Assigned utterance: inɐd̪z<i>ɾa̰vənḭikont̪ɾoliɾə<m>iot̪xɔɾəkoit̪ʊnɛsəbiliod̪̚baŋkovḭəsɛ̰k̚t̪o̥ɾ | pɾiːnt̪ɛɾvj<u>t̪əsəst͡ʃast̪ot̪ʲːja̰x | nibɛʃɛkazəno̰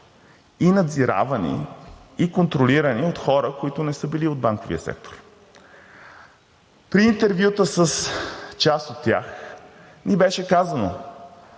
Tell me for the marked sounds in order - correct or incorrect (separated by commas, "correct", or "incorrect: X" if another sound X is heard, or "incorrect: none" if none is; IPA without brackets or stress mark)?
correct, incorrect: n, correct